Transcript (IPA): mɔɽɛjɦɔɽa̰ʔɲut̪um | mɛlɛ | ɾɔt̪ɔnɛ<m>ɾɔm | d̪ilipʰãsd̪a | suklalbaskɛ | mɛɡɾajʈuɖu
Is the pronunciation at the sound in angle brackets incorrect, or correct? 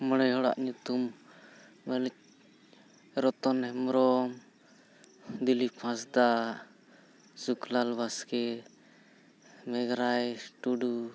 correct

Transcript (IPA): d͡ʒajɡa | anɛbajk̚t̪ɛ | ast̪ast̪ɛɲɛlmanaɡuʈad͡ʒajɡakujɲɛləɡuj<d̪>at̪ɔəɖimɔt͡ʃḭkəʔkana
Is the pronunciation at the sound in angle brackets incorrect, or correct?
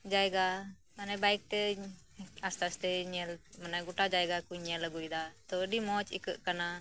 correct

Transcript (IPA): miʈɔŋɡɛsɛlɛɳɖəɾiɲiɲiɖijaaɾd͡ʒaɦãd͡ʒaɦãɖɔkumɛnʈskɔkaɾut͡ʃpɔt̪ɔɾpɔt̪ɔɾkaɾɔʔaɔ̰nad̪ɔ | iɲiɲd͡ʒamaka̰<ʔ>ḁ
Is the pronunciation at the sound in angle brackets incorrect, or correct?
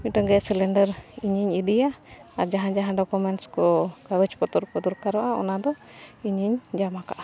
correct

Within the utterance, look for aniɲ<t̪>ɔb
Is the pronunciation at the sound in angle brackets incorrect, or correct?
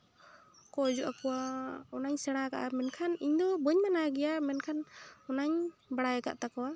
incorrect: d̪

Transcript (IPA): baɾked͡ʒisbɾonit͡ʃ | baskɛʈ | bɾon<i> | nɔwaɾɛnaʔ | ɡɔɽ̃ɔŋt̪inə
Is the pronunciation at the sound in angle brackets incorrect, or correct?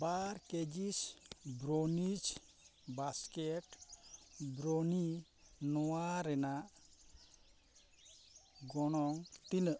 correct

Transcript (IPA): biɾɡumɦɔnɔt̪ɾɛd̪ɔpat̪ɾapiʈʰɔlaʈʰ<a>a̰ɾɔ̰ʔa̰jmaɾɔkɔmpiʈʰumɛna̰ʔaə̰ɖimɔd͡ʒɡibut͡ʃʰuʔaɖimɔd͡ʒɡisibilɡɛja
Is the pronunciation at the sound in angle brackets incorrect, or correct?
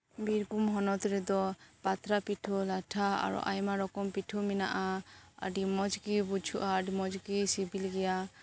correct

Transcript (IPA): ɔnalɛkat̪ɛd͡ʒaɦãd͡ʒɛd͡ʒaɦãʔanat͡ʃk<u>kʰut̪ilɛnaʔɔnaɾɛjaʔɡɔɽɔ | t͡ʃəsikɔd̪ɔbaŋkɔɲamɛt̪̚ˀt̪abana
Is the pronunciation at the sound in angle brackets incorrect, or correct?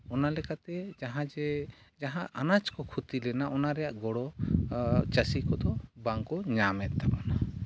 incorrect: ɔ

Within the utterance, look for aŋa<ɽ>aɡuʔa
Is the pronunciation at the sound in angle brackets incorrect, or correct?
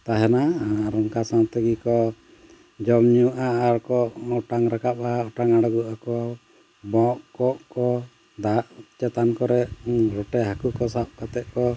correct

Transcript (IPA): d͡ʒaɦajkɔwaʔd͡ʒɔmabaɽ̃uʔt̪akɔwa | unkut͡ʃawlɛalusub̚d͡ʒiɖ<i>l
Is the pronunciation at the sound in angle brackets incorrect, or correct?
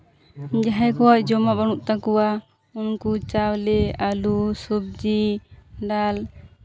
incorrect: a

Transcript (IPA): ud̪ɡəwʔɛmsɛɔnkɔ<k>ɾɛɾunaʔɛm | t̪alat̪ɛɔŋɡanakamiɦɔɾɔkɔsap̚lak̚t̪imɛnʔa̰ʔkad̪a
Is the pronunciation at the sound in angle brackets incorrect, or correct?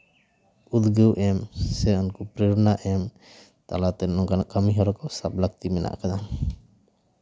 incorrect: p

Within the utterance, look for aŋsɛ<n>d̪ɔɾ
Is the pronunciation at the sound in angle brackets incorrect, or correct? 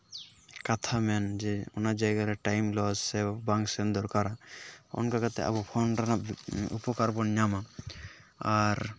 correct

